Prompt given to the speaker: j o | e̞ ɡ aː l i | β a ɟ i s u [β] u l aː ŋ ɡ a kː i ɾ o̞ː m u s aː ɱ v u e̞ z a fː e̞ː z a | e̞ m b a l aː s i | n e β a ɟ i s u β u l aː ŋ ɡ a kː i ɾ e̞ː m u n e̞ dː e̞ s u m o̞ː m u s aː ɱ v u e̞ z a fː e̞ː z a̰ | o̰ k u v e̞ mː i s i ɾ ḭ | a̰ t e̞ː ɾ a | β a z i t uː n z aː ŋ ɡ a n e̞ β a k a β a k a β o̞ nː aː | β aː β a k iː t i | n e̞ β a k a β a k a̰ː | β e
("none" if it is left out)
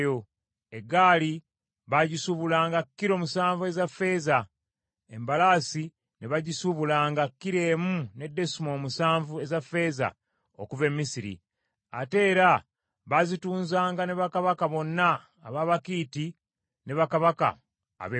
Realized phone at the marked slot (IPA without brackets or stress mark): β